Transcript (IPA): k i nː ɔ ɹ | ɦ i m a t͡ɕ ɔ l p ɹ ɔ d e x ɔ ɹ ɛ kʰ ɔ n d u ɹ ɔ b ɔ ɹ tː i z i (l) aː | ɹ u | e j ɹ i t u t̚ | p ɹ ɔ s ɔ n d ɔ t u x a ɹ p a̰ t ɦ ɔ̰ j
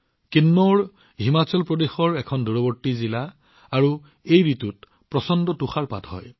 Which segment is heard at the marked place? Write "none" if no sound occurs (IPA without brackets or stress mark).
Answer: l